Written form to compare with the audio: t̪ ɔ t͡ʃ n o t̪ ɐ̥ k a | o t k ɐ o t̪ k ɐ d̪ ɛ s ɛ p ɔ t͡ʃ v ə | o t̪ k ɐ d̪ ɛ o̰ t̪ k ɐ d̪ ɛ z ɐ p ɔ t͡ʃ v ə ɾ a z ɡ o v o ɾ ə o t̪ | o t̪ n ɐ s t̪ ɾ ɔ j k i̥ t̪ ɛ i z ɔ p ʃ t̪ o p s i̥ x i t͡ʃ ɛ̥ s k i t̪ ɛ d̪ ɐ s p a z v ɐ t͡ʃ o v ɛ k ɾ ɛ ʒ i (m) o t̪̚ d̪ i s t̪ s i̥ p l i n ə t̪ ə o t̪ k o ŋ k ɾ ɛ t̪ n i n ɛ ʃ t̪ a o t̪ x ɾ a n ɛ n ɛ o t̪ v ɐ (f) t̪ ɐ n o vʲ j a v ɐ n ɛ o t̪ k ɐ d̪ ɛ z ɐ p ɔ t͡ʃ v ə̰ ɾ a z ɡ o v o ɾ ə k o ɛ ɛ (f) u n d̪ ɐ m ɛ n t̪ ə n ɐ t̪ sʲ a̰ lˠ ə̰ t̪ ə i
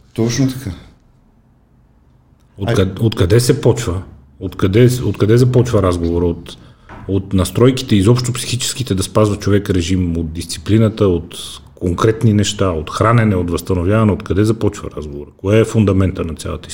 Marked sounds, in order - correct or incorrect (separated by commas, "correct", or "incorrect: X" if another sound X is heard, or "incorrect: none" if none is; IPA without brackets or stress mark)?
correct, incorrect: s, correct